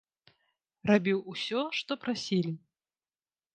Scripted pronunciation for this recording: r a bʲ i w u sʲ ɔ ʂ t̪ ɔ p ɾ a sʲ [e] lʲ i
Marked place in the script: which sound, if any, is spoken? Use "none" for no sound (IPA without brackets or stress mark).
i